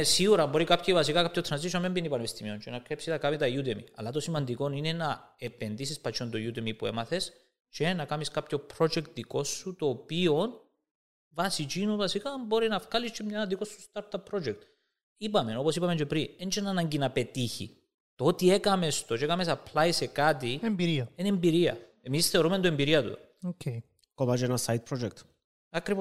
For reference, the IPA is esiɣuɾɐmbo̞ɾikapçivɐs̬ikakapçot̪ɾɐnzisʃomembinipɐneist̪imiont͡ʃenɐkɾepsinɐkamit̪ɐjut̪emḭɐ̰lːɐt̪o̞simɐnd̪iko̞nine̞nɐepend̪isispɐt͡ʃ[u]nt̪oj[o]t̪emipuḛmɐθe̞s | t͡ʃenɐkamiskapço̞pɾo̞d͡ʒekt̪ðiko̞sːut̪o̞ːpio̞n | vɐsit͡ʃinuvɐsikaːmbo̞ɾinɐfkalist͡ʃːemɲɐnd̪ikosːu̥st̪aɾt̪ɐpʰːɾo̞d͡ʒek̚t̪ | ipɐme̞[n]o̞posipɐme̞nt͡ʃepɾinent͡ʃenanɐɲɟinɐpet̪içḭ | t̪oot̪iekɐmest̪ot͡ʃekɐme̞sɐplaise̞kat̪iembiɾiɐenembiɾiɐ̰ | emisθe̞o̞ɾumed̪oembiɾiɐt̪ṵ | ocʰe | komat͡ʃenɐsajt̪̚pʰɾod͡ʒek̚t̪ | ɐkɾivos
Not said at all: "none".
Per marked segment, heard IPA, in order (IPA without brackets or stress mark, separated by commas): o, u, n